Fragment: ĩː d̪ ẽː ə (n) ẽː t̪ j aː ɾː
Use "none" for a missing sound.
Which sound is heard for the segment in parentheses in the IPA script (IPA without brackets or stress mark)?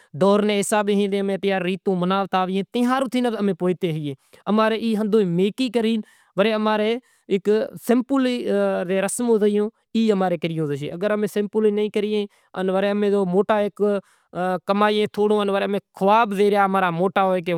m